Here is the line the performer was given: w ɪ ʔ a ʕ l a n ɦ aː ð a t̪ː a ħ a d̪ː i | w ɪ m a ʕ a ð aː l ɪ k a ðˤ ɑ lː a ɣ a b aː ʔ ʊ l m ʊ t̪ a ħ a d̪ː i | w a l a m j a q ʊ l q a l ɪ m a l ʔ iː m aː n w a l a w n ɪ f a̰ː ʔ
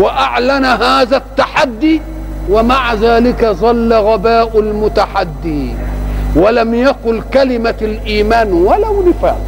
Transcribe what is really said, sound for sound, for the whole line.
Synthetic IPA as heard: w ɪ ʔ a ʕ l a n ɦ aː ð a t̪ː a ħ a d̪ː i | w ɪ m a ʕ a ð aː l ɪ k a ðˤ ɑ lː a ɣ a b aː ʔ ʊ l m ʊ t̪ a ħ a d̪ː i | w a l a m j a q ʊ l k a l ɪ m a l ʔ iː m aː n w a l a w n ɪ f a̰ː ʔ